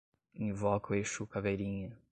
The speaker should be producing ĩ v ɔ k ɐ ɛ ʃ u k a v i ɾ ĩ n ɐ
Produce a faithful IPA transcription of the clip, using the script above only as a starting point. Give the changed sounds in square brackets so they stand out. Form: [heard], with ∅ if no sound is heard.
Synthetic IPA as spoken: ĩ v ɔ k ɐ [e] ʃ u k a v [e] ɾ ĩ [ɲ] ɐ